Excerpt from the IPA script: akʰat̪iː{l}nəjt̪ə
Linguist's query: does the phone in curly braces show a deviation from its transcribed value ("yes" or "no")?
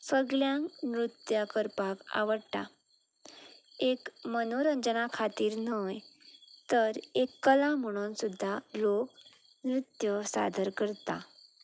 yes